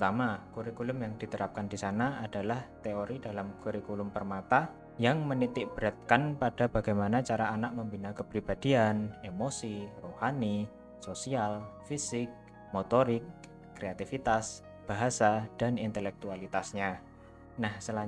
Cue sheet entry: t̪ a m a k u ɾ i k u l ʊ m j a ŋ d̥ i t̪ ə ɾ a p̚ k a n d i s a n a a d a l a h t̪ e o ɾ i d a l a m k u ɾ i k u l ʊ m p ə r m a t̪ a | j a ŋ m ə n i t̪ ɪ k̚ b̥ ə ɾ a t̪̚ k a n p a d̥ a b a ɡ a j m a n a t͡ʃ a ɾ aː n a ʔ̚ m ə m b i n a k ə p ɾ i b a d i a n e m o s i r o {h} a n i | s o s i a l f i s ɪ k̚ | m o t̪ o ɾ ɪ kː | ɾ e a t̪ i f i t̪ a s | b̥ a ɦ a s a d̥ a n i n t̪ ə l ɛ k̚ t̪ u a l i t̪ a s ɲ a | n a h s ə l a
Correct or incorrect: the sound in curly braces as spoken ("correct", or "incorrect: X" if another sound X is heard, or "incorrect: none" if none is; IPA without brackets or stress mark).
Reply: correct